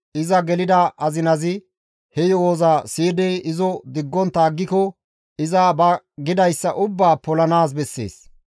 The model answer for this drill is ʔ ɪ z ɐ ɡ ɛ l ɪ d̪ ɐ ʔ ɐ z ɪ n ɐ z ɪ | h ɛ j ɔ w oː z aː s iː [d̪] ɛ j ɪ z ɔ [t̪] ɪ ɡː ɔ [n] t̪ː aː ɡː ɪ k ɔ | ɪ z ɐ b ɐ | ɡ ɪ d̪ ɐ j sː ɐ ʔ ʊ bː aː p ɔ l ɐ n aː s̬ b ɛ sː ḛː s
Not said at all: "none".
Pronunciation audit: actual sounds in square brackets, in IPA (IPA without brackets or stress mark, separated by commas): d̪, d̪, n